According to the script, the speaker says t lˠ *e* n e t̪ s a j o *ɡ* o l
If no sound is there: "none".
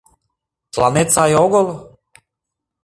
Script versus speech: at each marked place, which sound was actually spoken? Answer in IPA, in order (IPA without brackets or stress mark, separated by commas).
a, ɡ